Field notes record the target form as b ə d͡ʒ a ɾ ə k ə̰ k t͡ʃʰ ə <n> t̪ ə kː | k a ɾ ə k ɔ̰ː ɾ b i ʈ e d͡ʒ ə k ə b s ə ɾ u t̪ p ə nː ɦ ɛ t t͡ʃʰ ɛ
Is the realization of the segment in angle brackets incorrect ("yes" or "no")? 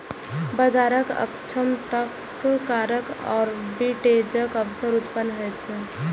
yes